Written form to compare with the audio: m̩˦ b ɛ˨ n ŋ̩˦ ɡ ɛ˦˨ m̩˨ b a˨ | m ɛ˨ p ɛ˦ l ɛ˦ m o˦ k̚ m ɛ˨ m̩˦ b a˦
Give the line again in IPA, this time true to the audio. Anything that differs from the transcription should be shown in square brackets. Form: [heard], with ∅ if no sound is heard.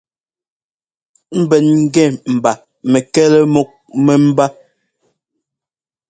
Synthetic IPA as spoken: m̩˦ b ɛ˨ n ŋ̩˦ ɡ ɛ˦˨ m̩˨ b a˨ | m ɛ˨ [k] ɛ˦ l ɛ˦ m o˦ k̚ m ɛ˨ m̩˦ b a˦